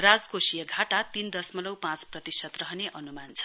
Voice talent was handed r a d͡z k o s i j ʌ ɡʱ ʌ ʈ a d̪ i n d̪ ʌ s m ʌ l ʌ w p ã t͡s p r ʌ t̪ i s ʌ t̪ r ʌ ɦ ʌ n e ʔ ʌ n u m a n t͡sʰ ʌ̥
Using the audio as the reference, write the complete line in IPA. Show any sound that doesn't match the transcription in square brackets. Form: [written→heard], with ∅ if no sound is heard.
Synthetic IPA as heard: r a d͡z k o s i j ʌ ɡʱ [ʌ→a] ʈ a [d̪→t̪] i n d̪ ʌ s m ʌ l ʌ w p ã t͡s p r ʌ t̪ i s ʌ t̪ r ʌ ɦ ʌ n e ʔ ʌ n u m a n t͡sʰ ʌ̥